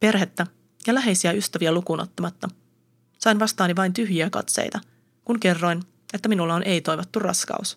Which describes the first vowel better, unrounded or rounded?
unrounded